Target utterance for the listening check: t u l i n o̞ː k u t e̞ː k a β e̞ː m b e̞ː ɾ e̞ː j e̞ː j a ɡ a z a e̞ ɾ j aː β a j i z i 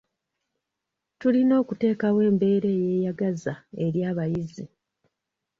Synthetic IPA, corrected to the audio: t u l i n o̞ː k u t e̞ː k a w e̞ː m b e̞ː ɾ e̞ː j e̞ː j a ɡ a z a e̞ ɾ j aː β a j i z i